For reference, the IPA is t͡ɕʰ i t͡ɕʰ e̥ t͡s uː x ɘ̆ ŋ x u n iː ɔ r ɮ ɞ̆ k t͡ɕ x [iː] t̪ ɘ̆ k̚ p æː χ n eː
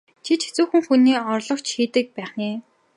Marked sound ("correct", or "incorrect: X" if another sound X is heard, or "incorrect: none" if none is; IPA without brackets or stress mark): correct